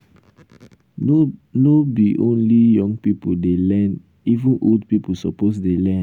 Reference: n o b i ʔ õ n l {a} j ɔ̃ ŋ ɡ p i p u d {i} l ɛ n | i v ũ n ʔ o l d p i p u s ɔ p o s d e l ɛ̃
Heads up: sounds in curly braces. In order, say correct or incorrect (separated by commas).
incorrect, incorrect